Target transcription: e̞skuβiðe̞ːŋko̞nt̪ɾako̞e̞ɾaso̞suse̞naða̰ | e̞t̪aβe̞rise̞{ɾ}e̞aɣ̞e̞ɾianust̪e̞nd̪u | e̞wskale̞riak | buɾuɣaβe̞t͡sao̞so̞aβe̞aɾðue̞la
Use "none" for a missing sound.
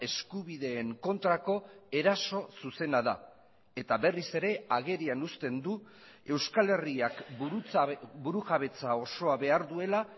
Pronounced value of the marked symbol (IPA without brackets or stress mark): ɾ